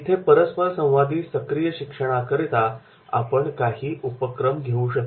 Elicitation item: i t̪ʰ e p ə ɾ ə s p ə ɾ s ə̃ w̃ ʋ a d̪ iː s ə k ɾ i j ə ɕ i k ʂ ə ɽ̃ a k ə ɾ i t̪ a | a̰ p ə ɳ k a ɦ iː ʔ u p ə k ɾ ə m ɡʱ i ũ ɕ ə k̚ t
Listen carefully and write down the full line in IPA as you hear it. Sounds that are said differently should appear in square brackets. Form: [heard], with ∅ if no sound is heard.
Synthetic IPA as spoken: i t̪ʰ e p ə ɾ ə s p ə ɾ s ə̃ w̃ ʋ a d̪ iː s ə k ɾ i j ə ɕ i k ʂ ə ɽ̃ a k ə ɾ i t̪ a | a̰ p ə ɳ k a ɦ iː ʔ u p ə k ɾ ə m ɡʱ [e] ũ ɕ ə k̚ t